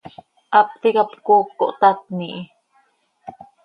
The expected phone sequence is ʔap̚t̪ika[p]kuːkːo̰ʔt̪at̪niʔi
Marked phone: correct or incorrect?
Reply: correct